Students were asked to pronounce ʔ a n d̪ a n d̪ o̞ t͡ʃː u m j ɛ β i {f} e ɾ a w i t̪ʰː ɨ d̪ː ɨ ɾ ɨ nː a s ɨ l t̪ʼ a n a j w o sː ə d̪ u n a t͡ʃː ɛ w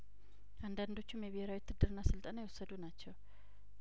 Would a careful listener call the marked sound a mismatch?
yes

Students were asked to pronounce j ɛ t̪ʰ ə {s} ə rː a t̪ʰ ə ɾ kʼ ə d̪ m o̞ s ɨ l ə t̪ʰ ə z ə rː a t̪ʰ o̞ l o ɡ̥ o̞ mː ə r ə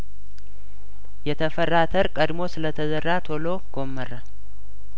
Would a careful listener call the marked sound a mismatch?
yes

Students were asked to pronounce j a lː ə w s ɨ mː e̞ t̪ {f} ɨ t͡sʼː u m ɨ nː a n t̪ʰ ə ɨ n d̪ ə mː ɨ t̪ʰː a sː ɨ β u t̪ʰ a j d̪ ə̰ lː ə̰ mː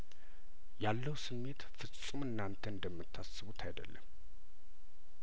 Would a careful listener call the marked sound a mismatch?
no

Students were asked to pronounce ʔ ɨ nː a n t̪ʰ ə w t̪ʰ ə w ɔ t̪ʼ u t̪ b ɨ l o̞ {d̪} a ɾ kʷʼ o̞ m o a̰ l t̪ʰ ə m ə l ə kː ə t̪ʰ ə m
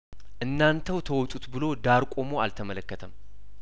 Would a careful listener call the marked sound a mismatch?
no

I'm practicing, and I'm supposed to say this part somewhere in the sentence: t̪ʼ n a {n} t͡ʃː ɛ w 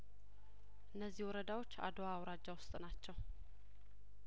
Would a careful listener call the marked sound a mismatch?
yes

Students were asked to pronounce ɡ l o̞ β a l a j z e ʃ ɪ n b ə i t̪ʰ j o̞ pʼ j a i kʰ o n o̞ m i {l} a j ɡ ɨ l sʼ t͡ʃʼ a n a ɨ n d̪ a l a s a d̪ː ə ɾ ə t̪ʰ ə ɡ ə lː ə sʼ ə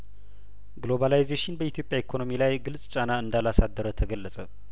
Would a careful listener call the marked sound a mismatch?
no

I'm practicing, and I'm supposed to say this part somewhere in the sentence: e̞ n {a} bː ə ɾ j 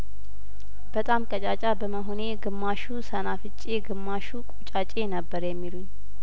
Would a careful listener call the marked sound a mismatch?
yes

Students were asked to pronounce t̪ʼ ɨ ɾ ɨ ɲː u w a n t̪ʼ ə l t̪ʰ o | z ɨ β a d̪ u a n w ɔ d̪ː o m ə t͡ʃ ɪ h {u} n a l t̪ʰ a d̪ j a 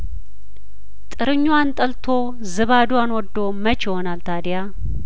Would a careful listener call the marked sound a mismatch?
yes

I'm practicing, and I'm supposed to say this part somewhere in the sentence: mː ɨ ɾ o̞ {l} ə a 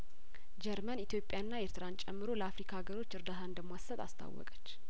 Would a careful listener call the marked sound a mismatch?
no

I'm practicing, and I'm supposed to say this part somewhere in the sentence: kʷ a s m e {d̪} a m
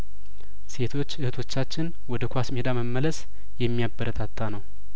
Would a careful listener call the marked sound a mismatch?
no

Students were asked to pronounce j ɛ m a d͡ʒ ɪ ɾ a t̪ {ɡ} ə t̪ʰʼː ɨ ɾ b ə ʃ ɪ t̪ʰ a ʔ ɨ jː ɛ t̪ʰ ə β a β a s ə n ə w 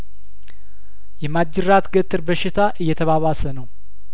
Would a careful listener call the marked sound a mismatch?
no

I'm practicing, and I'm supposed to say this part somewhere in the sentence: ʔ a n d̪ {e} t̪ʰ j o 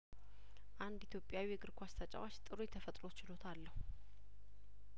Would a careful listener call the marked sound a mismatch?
yes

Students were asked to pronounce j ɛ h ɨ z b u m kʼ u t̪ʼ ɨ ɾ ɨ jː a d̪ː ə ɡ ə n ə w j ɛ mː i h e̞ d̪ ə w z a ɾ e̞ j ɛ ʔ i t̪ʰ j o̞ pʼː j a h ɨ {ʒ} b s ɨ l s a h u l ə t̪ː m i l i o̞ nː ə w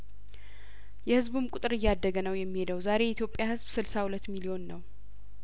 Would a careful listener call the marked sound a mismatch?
yes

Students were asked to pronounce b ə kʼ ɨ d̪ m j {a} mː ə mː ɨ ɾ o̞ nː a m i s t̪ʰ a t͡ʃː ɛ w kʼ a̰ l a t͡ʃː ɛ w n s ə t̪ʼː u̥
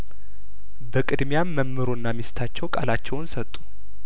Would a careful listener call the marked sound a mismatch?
no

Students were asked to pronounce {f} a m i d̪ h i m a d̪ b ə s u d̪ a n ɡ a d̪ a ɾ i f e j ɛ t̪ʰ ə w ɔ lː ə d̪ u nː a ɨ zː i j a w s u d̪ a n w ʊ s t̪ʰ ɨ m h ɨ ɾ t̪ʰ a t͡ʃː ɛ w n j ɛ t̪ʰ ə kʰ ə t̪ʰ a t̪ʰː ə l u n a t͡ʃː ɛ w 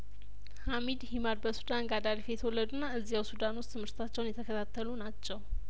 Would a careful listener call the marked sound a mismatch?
yes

